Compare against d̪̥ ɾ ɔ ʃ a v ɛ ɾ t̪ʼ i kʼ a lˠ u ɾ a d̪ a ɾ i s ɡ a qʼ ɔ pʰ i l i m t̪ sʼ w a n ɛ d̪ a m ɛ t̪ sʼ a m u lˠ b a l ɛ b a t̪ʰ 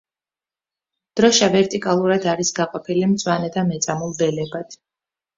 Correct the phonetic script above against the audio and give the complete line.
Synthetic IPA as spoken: d̪̥ ɾ ɔ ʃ a v ɛ ɾ t̪ʼ i kʼ a lˠ u ɾ a d̪ a ɾ i s ɡ a qʼ ɔ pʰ i l i m t̪ sʼ w a n ɛ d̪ a m ɛ t̪ sʼ a m u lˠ b ɛ l ɛ b a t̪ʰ